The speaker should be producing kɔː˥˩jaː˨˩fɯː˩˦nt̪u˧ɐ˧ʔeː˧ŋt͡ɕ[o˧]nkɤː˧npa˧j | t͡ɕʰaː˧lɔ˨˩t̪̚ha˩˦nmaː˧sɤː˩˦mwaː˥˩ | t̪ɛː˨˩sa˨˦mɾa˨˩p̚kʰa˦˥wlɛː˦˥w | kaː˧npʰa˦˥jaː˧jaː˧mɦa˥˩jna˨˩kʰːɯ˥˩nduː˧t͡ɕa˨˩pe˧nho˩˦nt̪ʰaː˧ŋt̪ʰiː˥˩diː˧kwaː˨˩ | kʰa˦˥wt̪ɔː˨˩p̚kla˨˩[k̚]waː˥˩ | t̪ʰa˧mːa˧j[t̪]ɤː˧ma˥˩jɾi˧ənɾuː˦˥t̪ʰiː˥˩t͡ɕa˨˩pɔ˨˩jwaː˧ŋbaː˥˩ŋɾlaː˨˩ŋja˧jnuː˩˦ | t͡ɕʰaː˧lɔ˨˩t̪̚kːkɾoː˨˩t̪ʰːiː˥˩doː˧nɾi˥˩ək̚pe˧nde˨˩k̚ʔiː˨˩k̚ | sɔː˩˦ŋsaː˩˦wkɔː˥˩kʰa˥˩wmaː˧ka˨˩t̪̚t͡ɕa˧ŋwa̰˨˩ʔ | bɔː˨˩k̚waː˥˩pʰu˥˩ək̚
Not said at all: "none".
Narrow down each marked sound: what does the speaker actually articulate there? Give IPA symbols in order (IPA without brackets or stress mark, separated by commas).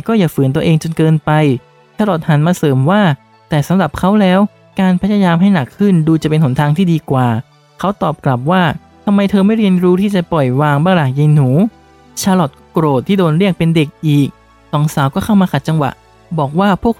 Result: o˧, p̚, t̪ʰ